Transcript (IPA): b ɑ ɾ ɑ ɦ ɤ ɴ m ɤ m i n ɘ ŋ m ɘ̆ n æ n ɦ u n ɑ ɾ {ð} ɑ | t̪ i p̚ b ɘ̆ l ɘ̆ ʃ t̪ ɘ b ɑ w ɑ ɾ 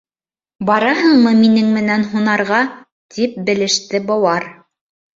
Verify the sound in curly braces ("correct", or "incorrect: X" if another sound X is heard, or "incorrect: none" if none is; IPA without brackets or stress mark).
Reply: incorrect: ʁ